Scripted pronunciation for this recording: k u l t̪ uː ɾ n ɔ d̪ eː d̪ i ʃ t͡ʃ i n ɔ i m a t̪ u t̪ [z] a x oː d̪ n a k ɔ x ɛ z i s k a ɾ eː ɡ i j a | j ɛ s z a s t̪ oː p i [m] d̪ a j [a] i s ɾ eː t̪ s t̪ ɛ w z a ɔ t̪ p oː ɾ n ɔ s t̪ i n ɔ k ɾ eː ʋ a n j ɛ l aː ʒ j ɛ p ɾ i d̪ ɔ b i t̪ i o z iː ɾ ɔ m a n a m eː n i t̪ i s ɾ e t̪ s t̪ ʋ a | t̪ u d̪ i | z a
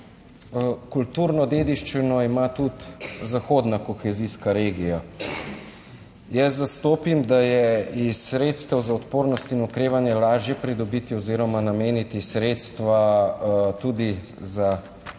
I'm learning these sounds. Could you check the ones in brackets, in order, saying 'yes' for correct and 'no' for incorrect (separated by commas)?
yes, yes, no